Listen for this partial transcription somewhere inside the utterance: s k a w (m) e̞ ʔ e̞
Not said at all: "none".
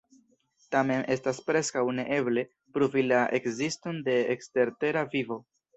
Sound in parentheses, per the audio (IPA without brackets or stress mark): n